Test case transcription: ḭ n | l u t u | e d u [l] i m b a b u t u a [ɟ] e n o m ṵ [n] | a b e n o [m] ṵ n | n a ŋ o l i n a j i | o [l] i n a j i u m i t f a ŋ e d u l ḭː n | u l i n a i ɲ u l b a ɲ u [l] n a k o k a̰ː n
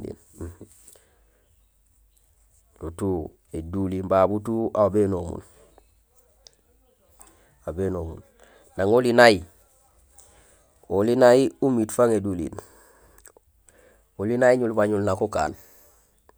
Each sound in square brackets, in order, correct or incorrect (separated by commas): correct, incorrect, correct, correct, correct, correct